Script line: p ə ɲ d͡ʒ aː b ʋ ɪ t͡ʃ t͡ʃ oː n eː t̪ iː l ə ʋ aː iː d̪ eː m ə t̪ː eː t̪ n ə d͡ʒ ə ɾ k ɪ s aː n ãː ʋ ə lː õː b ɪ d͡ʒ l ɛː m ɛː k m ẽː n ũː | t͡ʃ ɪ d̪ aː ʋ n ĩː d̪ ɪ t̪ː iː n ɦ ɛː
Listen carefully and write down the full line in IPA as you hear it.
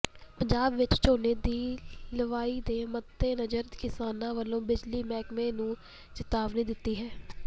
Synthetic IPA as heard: p ə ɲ d͡ʒ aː b ʋ ɪ t͡ʃ t͡ʃ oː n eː d̪ iː l ə ʋ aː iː d̪ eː m ə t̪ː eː n ə d͡ʒ ə ɾ k ɪ s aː n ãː ʋ ə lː õː b ɪ d͡ʒ l iː m ɛː k m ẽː n ũː | t͡ʃ ɪ t̪ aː ʋ n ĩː d̪ ɪ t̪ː iː ɦ ɛː

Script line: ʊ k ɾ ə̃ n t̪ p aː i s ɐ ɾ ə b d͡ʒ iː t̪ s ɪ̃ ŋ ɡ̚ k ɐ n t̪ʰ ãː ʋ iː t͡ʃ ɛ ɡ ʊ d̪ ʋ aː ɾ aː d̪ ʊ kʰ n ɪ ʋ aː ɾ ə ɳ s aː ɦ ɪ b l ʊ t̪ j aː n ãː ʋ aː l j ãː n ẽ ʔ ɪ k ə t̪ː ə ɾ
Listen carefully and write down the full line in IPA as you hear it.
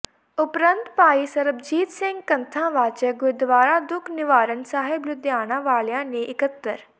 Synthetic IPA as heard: ʊ p ɾ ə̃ n t̪ p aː i s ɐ ɾ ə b d͡ʒ iː t̪ s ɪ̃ ŋ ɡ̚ k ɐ n t̪ʰ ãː ʋ aː t͡ʃ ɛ ɡ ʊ d̪ ʋ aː ɾ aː d̪ ʊ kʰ n ɪ ʋ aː ɾ ə n s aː ɦ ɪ b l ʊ d̪ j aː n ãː ʋ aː l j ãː n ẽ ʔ ɪ k ə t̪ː ə ɾ

